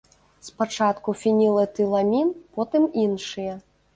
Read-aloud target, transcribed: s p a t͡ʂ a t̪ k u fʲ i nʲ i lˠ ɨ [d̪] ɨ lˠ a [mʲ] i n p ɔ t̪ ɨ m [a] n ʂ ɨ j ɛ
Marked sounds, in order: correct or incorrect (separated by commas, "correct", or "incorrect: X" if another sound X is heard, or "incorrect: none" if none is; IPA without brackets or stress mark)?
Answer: incorrect: t̪, correct, incorrect: i